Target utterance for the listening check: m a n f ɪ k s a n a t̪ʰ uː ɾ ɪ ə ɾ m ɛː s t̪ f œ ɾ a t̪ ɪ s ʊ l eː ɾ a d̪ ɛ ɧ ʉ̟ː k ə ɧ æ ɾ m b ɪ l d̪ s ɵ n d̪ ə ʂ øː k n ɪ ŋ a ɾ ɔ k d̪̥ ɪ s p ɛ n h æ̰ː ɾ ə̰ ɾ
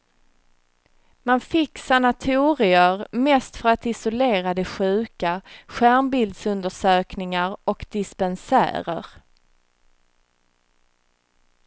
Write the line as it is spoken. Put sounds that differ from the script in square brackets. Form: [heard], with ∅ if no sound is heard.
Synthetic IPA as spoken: m a n f ɪ k s a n a t̪ʰ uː ɾ ɪ ə ɾ m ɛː s t̪ f œ ɾ a t̪ ɪ s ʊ l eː ɾ a d̪ ɛ ɧ ʉ̟ː k [a] ɧ æ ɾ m b ɪ l d̪ s ɵ n d̪ ə ʂ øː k n ɪ ŋ a ɾ ɔ k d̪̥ ɪ s p ɛ n [s] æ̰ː ɾ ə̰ ɾ